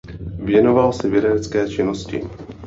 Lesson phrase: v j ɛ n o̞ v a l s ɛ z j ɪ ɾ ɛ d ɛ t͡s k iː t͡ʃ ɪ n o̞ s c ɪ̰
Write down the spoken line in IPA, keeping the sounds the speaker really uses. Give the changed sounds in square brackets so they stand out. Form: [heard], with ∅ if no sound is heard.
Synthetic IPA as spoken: v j ɛ n o̞ v a l s ɛ [v] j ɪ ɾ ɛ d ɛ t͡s k [ɛː] t͡ʃ ɪ n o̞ s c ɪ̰

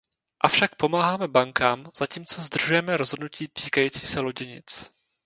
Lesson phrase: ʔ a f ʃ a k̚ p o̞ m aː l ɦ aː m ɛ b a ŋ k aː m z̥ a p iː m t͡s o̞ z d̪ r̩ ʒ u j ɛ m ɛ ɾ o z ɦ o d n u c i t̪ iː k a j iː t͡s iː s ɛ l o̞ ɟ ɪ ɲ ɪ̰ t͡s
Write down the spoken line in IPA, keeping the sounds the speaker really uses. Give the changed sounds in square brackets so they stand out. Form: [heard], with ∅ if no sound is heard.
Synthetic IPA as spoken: ʔ a f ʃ a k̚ p o̞ m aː [∅] ɦ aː m ɛ b a ŋ k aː m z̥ a [c] iː m t͡s o̞ z d̪ r̩ ʒ u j ɛ m ɛ ɾ o z ɦ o d n u c [iː] t̪ iː k a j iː t͡s iː s ɛ l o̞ ɟ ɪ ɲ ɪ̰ t͡s

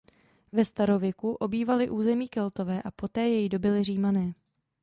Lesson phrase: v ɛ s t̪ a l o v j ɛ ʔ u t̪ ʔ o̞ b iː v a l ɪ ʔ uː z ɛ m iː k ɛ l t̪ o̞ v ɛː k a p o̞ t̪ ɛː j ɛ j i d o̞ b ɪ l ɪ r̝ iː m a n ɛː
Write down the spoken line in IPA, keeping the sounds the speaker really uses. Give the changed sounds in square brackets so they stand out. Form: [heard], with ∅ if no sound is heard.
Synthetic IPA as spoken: v ɛ s t̪ a [ɾ] o v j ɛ [k] u [∅] ʔ o̞ b iː v a l ɪ ʔ uː z ɛ m iː k ɛ l t̪ o̞ v ɛː [ʔ] a p o̞ t̪ ɛː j ɛ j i d o̞ b ɪ l ɪ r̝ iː m a n ɛː

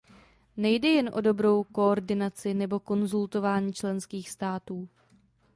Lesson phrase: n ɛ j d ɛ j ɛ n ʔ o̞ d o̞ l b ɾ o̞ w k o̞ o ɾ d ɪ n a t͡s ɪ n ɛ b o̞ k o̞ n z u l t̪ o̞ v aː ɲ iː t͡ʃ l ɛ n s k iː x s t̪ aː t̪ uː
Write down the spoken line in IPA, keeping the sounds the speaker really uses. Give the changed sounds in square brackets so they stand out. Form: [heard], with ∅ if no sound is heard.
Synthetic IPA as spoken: n ɛ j d ɛ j ɛ n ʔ o̞ d o̞ [∅] b ɾ o̞ w k o̞ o ɾ d ɪ n a t͡s ɪ n ɛ b o̞ k o̞ n z u l t̪ o̞ v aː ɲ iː t͡ʃ l ɛ n s k iː x s t̪ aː t̪ uː

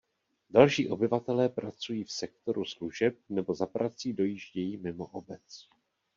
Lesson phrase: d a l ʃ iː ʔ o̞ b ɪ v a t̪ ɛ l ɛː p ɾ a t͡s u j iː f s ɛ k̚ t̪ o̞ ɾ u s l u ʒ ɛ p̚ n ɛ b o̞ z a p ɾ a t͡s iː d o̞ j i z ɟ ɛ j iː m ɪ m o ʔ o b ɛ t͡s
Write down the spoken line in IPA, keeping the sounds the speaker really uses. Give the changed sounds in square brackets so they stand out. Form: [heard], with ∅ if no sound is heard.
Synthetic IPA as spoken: d a l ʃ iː ʔ o̞ b ɪ v a t̪ ɛ l ɛː p ɾ a t͡s u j iː f s ɛ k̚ t̪ o̞ ɾ u s l u ʒ ɛ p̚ n ɛ b o̞ z a p ɾ a t͡s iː d o̞ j i [ʒ] ɟ ɛ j iː m ɪ m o ʔ o b ɛ t͡s

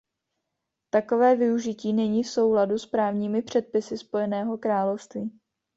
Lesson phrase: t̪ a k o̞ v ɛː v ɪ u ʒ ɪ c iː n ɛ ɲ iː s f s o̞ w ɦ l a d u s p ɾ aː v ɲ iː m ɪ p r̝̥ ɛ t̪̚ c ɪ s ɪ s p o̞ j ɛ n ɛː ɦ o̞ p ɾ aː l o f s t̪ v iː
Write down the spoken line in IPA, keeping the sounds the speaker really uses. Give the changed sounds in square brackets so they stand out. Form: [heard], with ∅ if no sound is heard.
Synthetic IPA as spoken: t̪ a k o̞ v ɛː v ɪ u ʒ ɪ c iː n ɛ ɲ iː [∅] f s o̞ w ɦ l a d u s p ɾ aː v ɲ iː m ɪ p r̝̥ ɛ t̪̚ [p] ɪ s ɪ s p o̞ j ɛ n ɛː ɦ o̞ [k] ɾ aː l o f s t̪ v iː

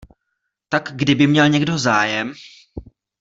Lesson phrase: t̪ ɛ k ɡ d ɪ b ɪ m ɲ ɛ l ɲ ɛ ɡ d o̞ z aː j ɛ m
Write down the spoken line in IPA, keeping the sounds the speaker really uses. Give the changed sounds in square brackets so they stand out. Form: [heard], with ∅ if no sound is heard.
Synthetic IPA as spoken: t̪ [a] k ɡ d ɪ b ɪ m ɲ ɛ l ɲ ɛ ɡ d o̞ z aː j ɛ m

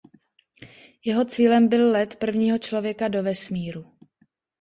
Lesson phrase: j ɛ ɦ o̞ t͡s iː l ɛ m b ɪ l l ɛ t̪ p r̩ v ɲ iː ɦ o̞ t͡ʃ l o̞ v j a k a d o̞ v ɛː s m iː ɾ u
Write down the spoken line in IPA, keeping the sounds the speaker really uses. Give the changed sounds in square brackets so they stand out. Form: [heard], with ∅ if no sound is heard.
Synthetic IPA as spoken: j ɛ ɦ o̞ t͡s iː l ɛ m b ɪ l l ɛ t̪ p r̩ v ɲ iː ɦ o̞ t͡ʃ l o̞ v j [ɛ] k a d o̞ v [ɛ] s m iː ɾ u

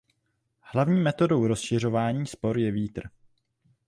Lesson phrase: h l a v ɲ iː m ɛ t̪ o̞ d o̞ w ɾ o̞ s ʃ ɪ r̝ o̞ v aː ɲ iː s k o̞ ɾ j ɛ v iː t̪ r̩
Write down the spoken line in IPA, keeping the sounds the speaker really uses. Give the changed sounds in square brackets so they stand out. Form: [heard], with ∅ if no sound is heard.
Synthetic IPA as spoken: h l a v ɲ iː m ɛ t̪ o̞ d o̞ w ɾ o̞ s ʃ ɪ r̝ o̞ v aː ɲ iː s [p] o̞ ɾ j ɛ v iː t̪ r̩

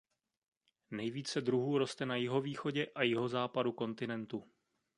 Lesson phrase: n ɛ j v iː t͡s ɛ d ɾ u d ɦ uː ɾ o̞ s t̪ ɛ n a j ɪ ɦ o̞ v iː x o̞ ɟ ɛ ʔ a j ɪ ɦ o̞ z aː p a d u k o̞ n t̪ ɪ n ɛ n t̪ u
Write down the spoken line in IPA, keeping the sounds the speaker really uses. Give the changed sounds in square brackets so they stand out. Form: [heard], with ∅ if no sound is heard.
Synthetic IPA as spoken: n ɛ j v iː t͡s ɛ d ɾ u [∅] ɦ uː ɾ o̞ s t̪ ɛ n a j ɪ ɦ o̞ v iː x o̞ ɟ ɛ ʔ a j ɪ ɦ o̞ z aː p a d u k o̞ n t̪ ɪ n ɛ n t̪ u

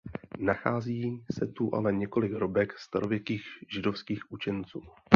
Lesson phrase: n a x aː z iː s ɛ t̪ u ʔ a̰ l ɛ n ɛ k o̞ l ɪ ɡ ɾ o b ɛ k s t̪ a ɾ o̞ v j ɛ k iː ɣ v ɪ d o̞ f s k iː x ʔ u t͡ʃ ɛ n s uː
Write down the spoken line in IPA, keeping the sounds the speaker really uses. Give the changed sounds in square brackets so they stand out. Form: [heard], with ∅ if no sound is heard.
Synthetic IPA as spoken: n a x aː z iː s ɛ t̪ u ʔ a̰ l ɛ [ɲ] ɛ k o̞ l ɪ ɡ ɾ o b ɛ k s t̪ a ɾ o̞ v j ɛ k iː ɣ [ʒ] ɪ d o̞ f s k iː x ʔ u t͡ʃ ɛ n [t͡s] uː

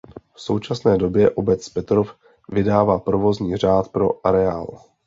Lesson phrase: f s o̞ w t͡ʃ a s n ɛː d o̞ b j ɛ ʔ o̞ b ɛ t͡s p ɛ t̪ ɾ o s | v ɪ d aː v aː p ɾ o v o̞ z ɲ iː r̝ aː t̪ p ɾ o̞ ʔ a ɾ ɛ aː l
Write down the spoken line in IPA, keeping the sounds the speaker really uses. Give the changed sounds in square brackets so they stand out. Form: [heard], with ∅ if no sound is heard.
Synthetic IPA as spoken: f s o̞ w t͡ʃ a s n ɛː d o̞ b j ɛ ʔ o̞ b ɛ t͡s p ɛ t̪ ɾ o [f] | v ɪ d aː v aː p ɾ o v o̞ z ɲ iː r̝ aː t̪ p ɾ o̞ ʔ a ɾ ɛ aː l

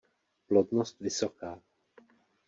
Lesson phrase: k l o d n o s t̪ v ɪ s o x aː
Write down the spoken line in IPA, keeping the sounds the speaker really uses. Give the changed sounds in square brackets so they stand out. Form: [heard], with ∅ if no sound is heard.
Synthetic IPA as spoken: [p] l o d n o s t̪ v ɪ s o [k] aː

